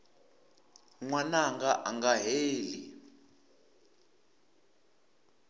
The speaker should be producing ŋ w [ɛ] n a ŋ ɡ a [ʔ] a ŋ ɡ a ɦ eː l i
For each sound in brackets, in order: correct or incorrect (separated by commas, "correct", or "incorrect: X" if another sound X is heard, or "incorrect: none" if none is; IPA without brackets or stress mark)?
incorrect: a, correct